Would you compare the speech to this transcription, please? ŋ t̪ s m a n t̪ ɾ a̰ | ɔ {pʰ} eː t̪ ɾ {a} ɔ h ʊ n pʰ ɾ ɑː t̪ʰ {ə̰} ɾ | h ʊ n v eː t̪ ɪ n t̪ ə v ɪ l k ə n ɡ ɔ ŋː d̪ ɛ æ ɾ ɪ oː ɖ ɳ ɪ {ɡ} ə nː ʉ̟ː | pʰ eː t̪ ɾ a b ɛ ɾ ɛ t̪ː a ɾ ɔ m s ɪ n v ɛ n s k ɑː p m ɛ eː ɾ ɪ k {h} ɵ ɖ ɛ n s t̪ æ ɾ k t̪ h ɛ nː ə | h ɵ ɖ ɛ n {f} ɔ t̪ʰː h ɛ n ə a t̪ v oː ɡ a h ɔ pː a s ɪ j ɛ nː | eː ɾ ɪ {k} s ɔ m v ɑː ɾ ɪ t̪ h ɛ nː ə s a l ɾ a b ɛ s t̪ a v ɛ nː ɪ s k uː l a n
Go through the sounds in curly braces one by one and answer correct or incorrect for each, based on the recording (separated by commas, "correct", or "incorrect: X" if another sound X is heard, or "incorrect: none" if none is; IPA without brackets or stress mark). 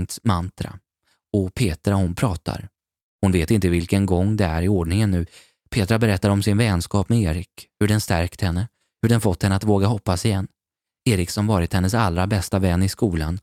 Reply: correct, correct, incorrect: a̰, incorrect: ŋ, correct, correct, correct